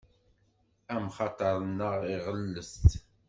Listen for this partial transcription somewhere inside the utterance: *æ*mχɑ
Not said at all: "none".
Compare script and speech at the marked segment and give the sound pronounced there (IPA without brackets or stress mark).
æ